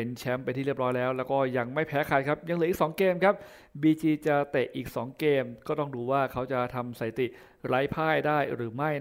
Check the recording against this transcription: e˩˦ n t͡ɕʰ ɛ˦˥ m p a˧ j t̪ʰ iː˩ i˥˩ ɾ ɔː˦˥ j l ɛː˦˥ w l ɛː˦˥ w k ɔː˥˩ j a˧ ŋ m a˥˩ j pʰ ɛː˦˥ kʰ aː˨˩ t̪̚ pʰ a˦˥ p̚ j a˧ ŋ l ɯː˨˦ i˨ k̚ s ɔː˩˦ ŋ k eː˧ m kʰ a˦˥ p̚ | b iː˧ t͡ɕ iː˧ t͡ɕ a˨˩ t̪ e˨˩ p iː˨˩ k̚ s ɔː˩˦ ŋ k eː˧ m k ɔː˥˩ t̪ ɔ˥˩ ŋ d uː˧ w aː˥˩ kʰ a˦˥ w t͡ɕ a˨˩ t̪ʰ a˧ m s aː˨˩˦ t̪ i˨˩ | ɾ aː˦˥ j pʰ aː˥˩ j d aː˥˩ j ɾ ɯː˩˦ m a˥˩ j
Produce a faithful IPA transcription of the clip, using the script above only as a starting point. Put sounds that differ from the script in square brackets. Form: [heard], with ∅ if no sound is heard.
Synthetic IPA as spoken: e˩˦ n t͡ɕʰ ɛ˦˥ m p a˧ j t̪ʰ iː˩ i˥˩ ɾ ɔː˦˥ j l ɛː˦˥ w l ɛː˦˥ w k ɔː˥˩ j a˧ ŋ m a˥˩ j pʰ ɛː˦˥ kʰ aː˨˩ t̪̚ [kʰ] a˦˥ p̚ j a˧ ŋ l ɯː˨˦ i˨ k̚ s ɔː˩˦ ŋ k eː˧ m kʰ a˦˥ p̚ | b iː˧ t͡ɕ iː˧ t͡ɕ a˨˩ t̪ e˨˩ [ʔ] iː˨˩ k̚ s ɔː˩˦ ŋ k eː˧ m k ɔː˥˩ t̪ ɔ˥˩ ŋ d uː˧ w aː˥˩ kʰ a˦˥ w t͡ɕ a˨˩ t̪ʰ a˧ m s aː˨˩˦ t̪ i˨˩ | ɾ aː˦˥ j pʰ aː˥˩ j d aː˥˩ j ɾ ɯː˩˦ m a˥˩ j